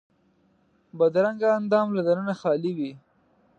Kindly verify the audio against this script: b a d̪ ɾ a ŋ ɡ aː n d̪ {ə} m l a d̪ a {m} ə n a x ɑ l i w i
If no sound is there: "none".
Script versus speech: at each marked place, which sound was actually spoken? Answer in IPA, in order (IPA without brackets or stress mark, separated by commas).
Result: ɑ, n